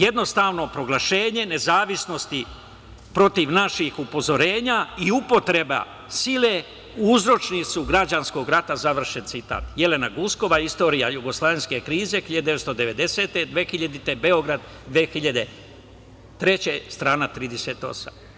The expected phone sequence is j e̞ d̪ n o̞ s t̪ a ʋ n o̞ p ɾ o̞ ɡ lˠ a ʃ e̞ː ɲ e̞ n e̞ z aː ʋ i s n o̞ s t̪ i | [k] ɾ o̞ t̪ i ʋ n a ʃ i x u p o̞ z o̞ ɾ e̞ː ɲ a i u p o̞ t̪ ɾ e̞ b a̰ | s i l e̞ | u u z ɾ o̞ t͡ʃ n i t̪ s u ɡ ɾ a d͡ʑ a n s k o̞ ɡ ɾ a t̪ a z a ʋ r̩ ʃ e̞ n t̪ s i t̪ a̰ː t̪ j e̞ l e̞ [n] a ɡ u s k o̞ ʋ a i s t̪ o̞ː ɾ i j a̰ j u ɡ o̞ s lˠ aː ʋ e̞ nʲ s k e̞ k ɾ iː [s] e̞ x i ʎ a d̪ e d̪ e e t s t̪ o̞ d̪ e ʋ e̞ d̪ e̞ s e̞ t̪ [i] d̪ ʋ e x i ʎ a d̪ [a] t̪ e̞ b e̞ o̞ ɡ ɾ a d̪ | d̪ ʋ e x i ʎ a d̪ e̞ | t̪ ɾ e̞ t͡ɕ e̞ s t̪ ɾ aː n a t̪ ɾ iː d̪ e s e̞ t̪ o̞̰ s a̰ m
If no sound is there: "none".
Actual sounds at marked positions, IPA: p, n, z, e, i

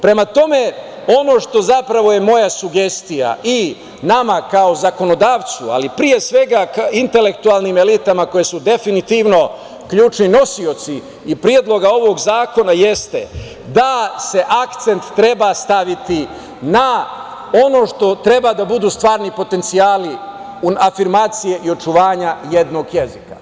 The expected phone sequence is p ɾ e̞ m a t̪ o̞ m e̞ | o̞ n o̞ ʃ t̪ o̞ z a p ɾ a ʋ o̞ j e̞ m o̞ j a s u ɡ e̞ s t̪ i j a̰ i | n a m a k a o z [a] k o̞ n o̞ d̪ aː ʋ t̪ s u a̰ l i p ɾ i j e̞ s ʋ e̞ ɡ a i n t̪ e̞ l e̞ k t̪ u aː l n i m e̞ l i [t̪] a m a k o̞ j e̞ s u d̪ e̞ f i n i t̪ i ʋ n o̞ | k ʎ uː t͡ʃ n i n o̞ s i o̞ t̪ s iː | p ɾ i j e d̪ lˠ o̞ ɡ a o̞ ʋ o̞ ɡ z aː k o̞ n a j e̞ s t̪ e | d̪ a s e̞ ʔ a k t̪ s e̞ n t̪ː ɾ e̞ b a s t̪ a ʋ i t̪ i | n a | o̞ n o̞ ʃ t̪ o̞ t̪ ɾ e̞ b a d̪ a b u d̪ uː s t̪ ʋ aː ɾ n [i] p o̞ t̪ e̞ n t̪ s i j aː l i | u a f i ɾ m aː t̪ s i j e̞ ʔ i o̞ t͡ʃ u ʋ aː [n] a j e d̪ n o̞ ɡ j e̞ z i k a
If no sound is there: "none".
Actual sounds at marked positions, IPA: a, t̪, i, ɲ

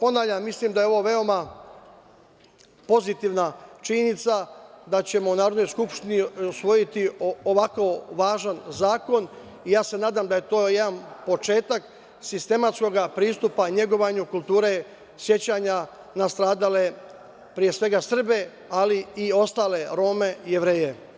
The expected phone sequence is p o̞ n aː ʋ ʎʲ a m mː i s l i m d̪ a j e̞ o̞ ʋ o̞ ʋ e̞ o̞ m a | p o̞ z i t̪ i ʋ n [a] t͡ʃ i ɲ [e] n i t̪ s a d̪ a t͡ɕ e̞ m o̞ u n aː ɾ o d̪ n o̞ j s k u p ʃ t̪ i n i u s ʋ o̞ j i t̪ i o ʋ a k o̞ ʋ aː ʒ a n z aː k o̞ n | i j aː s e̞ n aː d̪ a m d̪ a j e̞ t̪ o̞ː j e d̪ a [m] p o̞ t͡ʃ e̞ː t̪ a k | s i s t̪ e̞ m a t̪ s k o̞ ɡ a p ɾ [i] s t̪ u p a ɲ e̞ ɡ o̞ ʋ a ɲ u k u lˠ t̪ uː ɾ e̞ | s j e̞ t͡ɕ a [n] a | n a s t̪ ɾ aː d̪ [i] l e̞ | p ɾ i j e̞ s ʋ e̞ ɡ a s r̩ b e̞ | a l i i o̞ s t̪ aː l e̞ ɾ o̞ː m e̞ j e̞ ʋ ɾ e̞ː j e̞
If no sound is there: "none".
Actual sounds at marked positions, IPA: a, e, n, iː, ɲ, a

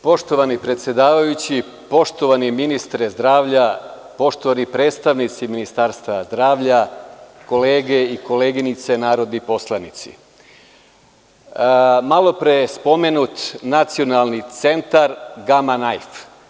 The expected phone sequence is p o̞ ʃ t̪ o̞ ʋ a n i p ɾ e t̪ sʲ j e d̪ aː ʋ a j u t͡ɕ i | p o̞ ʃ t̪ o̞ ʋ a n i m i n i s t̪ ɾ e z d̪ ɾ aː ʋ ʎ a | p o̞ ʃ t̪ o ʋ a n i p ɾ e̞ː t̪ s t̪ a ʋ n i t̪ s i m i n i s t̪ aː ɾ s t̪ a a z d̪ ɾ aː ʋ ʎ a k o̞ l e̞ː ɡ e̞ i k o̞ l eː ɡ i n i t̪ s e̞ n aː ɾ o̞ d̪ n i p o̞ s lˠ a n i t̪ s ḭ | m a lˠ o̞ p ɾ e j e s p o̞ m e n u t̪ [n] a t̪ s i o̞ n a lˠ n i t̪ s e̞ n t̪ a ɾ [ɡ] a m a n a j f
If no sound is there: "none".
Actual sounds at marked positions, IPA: n, ɡ

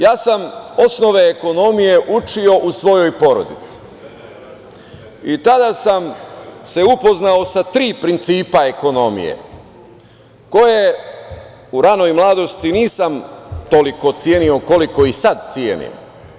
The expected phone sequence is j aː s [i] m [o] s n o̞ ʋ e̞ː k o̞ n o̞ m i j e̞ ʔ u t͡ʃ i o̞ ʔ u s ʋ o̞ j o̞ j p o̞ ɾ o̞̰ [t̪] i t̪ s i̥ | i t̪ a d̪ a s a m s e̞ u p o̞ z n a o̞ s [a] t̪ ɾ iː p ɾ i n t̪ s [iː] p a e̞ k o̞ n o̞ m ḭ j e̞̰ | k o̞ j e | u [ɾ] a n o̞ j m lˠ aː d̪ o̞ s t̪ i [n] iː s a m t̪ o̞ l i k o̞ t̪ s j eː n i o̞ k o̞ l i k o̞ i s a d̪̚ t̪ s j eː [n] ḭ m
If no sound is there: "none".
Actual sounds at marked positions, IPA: a, o, d̪, a, iː, ɾ, n, n

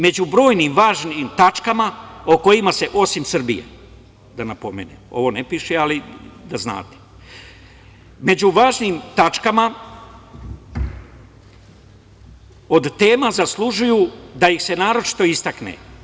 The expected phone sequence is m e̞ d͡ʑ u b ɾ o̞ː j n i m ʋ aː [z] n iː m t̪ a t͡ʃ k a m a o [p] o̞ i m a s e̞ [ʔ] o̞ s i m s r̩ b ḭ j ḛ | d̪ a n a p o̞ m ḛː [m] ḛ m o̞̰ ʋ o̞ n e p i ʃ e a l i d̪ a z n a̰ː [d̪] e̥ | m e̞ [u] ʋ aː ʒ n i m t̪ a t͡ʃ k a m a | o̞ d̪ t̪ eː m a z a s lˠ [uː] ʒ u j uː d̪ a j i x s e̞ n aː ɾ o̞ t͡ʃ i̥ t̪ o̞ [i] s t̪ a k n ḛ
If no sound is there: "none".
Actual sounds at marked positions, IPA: ʒ, k, ʔ, n, t̪, u, u, i

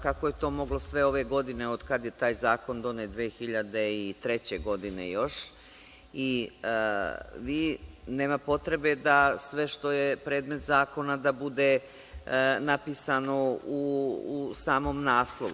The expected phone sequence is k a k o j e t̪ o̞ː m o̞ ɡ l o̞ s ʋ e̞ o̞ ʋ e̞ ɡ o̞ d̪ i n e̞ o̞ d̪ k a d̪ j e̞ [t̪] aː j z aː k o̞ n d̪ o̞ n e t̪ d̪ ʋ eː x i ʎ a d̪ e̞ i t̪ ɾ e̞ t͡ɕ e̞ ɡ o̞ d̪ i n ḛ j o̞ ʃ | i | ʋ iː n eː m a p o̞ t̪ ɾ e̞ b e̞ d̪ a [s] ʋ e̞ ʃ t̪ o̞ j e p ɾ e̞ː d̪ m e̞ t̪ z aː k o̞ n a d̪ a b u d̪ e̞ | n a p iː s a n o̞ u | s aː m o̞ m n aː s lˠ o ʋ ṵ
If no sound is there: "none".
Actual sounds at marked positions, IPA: t̪, s

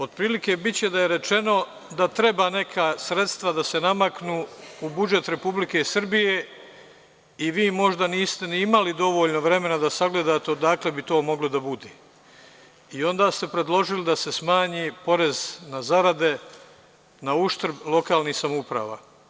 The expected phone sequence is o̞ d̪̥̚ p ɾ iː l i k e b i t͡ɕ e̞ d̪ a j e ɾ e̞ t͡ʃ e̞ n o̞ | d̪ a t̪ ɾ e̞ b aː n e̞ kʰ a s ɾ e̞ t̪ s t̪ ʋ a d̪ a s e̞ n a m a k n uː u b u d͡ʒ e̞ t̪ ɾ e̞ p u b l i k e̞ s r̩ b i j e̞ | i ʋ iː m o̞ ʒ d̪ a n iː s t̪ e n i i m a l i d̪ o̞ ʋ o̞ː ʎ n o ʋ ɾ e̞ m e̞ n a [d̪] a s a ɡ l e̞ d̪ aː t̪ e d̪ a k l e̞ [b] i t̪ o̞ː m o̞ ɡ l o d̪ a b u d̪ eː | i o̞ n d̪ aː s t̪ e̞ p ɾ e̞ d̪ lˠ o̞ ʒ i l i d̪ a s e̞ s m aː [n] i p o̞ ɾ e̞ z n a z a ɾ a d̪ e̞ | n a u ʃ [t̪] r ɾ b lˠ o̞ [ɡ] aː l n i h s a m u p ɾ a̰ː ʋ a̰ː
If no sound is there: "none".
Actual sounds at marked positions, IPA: d̪, b, ɲ, t̪, k

